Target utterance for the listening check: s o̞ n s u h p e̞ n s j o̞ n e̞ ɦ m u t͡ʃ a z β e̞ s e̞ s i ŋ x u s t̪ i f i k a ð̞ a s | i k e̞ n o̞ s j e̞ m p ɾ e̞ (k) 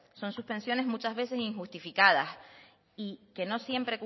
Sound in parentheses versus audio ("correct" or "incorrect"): correct